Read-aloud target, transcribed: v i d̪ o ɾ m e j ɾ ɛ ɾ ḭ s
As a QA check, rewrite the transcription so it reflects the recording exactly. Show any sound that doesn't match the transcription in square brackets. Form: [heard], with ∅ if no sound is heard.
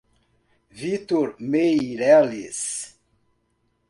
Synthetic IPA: v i [t̪] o ɾ m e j ɾ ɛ [l] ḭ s